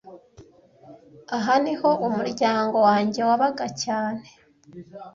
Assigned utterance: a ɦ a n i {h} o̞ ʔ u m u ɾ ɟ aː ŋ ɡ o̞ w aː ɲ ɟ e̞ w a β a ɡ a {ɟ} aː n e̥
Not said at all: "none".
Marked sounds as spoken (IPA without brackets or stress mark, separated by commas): h, c